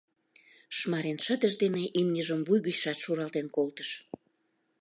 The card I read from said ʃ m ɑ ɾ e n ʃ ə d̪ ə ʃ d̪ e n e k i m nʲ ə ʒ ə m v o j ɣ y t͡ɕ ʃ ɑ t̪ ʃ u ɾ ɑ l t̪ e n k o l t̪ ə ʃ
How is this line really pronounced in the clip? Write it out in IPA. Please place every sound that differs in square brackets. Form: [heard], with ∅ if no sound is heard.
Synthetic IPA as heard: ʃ m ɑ ɾ e n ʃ ə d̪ ə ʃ d̪ e n e [ʔ] i m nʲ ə ʒ ə m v [u] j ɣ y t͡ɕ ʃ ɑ t̪ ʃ u ɾ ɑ l t̪ e n k o l t̪ ə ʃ